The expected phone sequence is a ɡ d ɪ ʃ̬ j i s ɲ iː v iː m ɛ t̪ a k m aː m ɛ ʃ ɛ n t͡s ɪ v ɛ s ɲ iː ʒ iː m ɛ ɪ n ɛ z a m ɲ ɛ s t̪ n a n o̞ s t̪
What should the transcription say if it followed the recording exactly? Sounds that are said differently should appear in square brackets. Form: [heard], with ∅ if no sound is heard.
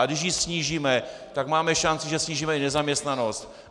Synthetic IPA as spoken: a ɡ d ɪ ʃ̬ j i s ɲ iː [ʒ] iː m ɛ t̪ a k m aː m ɛ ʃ [a] n t͡s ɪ [ʒ] ɛ s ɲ iː ʒ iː m ɛ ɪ n ɛ z a m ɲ ɛ s t̪ n a n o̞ s t̪

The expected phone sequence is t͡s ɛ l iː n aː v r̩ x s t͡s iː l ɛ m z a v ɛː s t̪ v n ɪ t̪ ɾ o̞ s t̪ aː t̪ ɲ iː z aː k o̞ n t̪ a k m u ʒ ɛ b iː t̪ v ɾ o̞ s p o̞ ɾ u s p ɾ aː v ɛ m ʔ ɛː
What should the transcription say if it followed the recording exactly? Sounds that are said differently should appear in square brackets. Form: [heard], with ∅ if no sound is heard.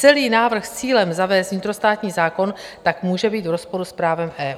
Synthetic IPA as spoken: t͡s ɛ l iː n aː v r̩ x s t͡s iː l ɛ m z a v ɛː s t̪ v [ɲ] ɪ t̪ ɾ o̞ s t̪ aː t̪ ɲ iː z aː k o̞ n t̪ a k m [uː] ʒ ɛ b iː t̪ v ɾ o̞ s p o̞ ɾ u s p ɾ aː v ɛ m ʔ ɛː

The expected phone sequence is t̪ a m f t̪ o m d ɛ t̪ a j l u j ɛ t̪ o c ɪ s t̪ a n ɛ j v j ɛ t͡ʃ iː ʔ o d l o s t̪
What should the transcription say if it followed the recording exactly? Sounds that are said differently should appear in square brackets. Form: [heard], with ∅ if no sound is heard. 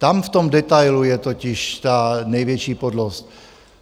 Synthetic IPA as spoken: t̪ a m f t̪ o m d ɛ t̪ a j l u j ɛ t̪ o c ɪ [ʃ] t̪ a n ɛ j v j ɛ t͡ʃ iː [p] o d l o s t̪

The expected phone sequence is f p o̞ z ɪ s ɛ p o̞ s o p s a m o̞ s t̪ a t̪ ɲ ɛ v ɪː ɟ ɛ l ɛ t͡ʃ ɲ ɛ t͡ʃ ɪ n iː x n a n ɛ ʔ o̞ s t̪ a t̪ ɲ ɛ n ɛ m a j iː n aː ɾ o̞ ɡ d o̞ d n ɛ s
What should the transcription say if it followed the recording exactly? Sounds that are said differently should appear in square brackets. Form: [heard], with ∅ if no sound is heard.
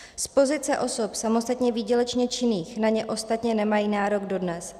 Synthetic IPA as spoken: [s] p o̞ z ɪ [t͡s] ɛ [ʔ] o̞ s o p s a m o̞ s t̪ a t̪ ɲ ɛ v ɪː ɟ ɛ l ɛ t͡ʃ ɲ ɛ t͡ʃ ɪ n iː x n a [ɲ] ɛ ʔ o̞ s t̪ a t̪ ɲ ɛ n ɛ m a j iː n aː ɾ o̞ ɡ d o̞ d n ɛ s

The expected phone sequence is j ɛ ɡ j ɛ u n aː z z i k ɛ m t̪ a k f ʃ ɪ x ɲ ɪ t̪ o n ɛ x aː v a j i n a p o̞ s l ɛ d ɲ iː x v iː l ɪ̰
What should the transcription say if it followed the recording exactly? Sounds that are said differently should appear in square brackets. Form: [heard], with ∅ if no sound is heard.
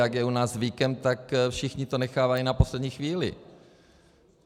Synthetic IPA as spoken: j [a] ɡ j ɛ u n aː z [v] i k ɛ m t̪ a k f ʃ ɪ x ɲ ɪ t̪ o n ɛ x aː v a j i n a p o̞ s l ɛ d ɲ iː x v iː l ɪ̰

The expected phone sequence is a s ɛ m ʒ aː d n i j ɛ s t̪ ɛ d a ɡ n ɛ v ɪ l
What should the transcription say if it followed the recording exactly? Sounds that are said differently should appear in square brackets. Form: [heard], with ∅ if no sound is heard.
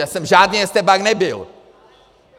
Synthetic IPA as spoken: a s ɛ m ʒ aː d n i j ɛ s t̪ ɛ [b] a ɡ n ɛ [b] ɪ l

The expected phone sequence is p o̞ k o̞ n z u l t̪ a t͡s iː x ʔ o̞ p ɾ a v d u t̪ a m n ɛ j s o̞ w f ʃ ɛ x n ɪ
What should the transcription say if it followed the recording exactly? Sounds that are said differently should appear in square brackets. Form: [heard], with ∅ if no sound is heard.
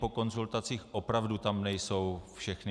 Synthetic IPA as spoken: p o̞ k o̞ n z u l t̪ a t͡s iː x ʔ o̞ p ɾ a v d u t̪ a m n ɛ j s o̞ w f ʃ ɛ x n ɪ

